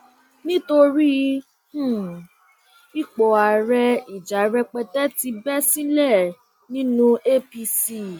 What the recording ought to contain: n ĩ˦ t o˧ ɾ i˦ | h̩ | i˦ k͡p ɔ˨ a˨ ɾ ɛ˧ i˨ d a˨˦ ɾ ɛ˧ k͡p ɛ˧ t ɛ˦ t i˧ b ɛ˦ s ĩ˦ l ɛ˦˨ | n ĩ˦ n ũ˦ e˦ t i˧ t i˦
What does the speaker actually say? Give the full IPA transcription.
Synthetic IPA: n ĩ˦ t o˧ ɾ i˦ | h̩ | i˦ k͡p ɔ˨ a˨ ɾ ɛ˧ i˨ d͡ʒ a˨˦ ɾ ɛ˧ k͡p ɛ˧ t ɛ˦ t i˧ b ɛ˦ s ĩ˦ l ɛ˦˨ | n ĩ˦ n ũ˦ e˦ p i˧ s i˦